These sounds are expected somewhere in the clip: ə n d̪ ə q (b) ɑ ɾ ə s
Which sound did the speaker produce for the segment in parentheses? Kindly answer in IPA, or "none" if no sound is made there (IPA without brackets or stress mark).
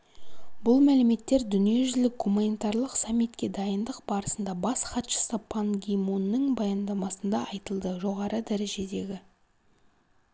b